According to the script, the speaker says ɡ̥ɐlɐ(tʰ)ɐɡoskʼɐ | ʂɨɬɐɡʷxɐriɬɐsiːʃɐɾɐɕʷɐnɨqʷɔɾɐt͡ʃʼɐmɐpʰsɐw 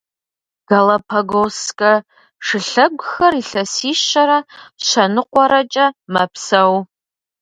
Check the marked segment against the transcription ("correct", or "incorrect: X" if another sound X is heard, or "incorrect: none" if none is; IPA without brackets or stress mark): incorrect: pʰ